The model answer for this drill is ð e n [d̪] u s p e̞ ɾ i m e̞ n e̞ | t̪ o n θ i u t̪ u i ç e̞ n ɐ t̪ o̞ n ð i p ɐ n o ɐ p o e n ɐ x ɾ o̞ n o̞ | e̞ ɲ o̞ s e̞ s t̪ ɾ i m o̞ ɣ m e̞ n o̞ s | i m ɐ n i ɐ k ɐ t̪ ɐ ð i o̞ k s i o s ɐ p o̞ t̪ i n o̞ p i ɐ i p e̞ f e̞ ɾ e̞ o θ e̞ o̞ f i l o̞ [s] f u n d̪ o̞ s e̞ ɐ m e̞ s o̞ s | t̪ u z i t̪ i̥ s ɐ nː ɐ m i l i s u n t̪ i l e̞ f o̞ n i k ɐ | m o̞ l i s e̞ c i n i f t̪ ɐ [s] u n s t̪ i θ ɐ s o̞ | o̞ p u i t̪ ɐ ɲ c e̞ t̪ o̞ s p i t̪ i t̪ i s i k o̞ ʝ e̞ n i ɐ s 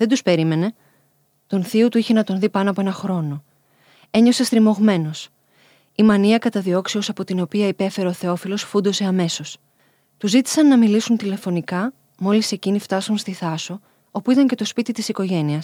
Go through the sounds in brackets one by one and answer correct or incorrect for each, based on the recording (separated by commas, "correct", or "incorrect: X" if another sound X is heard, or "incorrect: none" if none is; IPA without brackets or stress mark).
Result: correct, correct, correct